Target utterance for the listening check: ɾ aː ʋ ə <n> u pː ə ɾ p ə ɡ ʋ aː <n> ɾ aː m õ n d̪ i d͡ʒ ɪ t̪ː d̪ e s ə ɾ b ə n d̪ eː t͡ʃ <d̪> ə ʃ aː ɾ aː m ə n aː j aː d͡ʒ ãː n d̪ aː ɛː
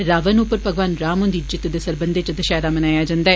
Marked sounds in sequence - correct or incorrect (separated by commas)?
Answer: correct, correct, correct